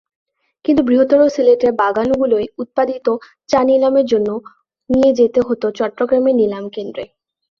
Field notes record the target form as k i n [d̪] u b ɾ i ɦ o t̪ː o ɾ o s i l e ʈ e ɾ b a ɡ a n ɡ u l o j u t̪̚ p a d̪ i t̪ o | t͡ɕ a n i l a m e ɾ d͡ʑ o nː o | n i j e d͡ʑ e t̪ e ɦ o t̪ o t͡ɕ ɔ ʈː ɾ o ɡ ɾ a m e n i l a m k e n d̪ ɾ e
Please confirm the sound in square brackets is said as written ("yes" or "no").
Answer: no